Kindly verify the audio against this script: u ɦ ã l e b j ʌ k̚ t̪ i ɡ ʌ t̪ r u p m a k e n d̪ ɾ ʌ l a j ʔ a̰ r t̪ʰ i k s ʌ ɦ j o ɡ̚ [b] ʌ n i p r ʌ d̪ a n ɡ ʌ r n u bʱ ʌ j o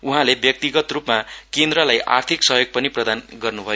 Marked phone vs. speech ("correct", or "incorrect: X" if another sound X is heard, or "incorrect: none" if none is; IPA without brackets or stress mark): incorrect: p